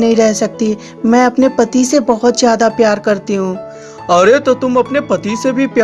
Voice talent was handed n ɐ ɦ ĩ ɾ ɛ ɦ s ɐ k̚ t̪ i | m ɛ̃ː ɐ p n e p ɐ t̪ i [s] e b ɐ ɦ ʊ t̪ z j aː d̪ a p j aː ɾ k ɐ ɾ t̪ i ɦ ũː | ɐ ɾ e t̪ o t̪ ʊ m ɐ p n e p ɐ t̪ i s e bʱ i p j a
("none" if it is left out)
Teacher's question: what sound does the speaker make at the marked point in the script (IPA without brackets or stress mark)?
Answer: s